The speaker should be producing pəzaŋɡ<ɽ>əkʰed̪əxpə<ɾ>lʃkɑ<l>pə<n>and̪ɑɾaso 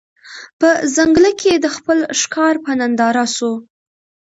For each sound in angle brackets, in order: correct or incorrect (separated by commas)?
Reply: incorrect, incorrect, incorrect, correct